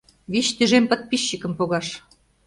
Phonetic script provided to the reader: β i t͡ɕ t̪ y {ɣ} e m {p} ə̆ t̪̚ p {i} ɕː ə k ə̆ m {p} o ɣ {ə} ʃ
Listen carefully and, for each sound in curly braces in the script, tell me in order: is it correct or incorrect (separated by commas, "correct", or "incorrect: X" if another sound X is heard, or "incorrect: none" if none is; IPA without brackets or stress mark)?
incorrect: ʒ, correct, correct, correct, incorrect: ɑ